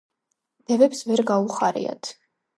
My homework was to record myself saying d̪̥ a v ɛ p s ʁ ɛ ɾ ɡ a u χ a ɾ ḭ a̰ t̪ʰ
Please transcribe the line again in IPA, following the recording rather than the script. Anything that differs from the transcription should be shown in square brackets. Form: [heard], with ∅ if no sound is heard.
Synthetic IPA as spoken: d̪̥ [ɛ] v ɛ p s [v] ɛ ɾ ɡ a u χ a ɾ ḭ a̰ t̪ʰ

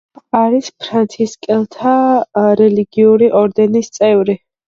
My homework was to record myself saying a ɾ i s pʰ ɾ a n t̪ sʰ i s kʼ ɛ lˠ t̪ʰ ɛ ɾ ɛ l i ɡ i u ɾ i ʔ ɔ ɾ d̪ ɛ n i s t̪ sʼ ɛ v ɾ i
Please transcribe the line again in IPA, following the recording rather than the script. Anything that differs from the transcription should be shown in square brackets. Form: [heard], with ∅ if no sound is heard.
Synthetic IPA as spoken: a ɾ i s pʰ ɾ a n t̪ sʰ i s kʼ ɛ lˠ t̪ʰ [a] ɾ ɛ l i ɡ i u ɾ i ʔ ɔ ɾ d̪ ɛ n i s t̪ sʼ ɛ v ɾ i

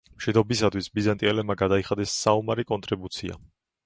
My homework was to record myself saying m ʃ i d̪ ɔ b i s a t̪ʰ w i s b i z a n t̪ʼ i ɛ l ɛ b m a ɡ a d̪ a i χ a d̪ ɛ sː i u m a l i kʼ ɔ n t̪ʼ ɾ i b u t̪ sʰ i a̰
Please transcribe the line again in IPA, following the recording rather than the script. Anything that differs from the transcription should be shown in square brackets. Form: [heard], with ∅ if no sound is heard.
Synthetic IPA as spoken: m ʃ i d̪ ɔ b i s a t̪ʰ w i s b i z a n t̪ʼ i ɛ l ɛ b m a ɡ a d̪ a i χ a d̪ ɛ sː [a] u m a [ɾ] i kʼ ɔ n t̪ʼ ɾ i b u t̪ sʰ i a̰

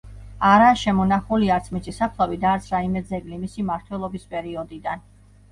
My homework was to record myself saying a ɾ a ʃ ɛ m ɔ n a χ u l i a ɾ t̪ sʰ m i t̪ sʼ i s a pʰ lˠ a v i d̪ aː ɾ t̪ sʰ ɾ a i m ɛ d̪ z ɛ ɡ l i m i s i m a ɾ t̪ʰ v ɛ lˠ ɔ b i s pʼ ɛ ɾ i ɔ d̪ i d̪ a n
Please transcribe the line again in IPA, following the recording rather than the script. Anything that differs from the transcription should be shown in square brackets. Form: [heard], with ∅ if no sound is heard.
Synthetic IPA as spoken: a ɾ a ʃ ɛ m ɔ n a χ u l i a ɾ t̪ sʰ m i t̪ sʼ i s a pʰ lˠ a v i d̪ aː ɾ t̪ sʰ ɾ a i m ɛ d̪ z ɛ ɡ l i m i s i m a ɾ t̪ʰ [w] ɛ lˠ ɔ b i s pʼ ɛ ɾ i ɔ d̪ i d̪ a n

